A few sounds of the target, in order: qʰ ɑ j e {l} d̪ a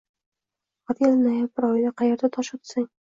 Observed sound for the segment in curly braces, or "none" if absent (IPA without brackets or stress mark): ɾ